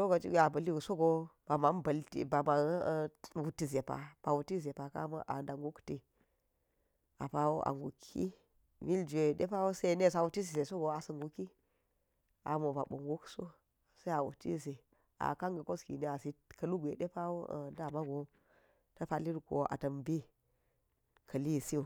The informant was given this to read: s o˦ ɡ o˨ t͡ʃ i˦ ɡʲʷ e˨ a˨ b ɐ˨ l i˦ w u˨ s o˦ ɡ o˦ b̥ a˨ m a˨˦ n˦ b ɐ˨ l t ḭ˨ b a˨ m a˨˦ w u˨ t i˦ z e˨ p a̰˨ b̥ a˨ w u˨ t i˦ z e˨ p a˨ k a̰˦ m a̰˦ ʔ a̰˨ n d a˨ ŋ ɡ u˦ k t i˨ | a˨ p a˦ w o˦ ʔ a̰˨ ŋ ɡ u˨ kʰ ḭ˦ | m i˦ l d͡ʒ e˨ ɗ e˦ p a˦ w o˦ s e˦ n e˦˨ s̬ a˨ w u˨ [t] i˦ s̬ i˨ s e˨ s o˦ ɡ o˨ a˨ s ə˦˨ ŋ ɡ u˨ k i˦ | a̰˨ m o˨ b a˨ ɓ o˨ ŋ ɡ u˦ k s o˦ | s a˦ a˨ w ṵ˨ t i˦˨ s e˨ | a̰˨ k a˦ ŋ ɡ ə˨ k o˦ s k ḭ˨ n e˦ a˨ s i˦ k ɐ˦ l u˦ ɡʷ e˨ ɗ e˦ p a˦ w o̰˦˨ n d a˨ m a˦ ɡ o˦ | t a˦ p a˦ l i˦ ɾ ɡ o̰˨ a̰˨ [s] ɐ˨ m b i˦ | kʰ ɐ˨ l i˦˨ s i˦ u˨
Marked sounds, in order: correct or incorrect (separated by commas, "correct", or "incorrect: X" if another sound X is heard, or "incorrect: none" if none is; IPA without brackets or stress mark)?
correct, incorrect: t